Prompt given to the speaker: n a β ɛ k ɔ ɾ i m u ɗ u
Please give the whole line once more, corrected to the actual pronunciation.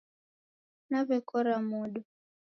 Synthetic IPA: n a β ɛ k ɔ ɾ a m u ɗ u